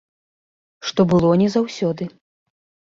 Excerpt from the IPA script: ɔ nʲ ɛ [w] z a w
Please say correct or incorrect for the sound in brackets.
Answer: incorrect